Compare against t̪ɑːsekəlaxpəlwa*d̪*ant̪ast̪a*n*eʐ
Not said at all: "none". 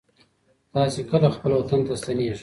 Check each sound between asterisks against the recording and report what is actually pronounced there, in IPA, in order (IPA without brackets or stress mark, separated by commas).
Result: t̪, n